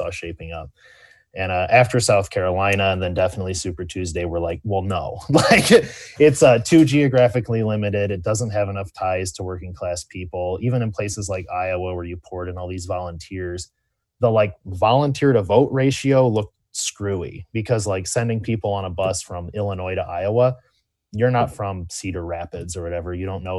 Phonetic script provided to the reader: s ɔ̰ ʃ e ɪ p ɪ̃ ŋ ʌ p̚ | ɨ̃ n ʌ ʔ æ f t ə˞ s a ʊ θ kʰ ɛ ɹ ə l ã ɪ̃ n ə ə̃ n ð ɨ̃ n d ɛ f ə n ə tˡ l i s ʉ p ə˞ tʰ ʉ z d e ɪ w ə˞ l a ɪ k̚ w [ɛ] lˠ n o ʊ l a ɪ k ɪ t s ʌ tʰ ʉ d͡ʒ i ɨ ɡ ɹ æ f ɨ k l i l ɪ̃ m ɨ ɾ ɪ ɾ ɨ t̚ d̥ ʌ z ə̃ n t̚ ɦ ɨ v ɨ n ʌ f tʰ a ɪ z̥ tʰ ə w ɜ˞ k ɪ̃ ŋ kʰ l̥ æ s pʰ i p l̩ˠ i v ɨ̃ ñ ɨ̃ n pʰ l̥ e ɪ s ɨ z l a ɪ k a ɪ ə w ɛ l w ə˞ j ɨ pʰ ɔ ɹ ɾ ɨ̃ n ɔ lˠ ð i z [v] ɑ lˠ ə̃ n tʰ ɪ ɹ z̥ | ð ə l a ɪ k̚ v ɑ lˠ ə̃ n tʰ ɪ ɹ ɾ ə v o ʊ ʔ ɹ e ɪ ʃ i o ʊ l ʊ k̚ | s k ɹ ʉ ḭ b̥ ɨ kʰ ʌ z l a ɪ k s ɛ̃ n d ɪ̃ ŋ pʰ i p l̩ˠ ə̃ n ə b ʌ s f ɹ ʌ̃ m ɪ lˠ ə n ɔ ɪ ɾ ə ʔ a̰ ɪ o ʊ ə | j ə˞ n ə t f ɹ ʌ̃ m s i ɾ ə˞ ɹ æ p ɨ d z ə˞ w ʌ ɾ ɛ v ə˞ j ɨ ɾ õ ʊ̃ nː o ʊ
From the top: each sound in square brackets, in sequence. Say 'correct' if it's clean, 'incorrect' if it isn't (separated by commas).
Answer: correct, correct